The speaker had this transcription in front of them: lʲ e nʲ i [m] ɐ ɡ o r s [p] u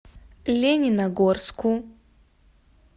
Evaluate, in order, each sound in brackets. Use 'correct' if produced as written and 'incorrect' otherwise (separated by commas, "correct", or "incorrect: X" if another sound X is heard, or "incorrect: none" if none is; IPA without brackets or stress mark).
incorrect: n, incorrect: k